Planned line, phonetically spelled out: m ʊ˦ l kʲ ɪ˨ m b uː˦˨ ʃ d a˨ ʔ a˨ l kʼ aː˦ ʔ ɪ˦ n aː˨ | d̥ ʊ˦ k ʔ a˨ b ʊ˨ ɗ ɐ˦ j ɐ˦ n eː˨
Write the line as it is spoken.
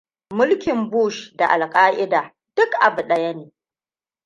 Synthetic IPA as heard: m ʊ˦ l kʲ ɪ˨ m b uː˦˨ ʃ d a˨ ʔ a˨ l kʼ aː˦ ʔ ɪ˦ d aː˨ | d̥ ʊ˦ k ʔ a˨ b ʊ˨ ɗ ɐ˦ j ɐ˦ n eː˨